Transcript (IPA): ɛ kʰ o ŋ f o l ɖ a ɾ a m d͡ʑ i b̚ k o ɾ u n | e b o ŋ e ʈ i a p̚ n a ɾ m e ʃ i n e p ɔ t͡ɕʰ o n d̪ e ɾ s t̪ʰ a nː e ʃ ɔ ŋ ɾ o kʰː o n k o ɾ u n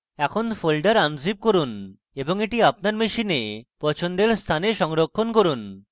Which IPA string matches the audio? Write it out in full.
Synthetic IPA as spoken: ɛ kʰ o n f o l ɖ a ɾ a n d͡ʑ i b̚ k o ɾ u n | e b o ŋ e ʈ i a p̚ n a ɾ m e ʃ i n e p ɔ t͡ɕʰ o n d̪ e ɾ s t̪ʰ a n e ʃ ɔ ŋ ɾ o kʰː o n k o ɾ u n